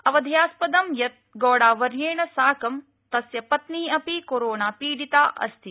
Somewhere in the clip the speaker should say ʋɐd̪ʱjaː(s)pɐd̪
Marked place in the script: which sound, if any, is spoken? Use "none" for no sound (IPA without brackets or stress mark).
s